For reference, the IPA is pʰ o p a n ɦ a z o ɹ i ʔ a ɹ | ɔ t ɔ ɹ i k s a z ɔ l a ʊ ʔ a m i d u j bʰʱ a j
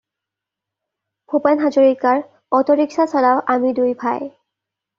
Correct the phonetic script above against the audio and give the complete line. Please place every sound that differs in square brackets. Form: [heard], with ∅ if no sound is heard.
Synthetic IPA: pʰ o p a n ɦ a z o ɹ i [k] a ɹ | ɔ t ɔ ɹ i k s a [s] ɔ l a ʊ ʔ a m i d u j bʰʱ a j